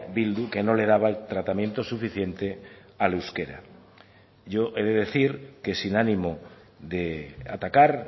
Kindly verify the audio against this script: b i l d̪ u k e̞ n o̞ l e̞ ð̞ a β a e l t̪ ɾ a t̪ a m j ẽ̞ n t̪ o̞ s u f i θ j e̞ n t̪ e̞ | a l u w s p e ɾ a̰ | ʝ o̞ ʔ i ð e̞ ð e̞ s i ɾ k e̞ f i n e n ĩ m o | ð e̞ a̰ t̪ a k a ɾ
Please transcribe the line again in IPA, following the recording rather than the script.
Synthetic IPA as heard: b i l d̪ u k e̞ n o̞ l e̞ ð̞ a β a e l t̪ ɾ a t̪ a m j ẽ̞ n t̪ o̞ s u f i θ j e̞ n t̪ e̞ | a l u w s k e ɾ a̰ | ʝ o̞ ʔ e ð e̞ ð e̞ θ i ɾ k e̞ s i n a n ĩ m o | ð e̞ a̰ t̪ a k a ɾ